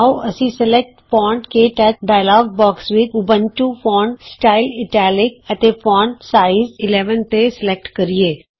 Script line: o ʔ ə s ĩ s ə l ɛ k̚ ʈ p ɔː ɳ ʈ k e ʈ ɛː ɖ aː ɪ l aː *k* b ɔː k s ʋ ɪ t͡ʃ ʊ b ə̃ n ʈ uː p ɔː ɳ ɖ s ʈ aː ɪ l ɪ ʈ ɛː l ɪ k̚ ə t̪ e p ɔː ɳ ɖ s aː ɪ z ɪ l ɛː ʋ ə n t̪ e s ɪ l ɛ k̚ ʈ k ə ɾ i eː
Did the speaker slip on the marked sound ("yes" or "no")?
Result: yes